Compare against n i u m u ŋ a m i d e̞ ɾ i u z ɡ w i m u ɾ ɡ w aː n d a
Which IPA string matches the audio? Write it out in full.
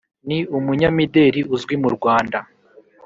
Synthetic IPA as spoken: n i u m u ɲ a m i d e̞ ɾ i u z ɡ w i m u ɾ ɡ w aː n d a